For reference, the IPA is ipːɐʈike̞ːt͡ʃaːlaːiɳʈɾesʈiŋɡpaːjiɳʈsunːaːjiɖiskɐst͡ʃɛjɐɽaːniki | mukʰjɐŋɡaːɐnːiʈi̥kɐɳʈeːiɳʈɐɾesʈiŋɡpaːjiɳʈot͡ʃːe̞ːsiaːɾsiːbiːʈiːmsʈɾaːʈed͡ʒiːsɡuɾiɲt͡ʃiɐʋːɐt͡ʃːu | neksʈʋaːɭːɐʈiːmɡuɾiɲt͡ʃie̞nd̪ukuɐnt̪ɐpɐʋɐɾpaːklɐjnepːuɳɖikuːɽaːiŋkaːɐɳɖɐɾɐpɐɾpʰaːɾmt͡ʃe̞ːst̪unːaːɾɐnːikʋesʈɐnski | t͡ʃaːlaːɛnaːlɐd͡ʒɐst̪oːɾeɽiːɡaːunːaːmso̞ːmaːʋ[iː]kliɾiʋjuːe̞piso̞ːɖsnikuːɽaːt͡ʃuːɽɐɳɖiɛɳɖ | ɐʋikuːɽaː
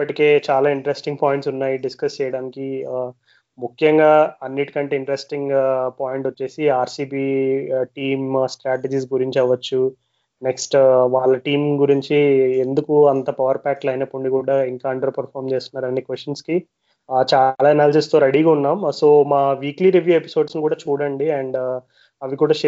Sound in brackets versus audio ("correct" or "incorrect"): correct